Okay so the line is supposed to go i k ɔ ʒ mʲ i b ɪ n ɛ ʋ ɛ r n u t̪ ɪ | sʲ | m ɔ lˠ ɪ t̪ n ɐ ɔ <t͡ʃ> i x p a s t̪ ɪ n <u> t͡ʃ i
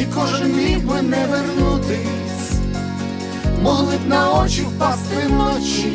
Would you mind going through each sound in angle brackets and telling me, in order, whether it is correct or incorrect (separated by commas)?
correct, incorrect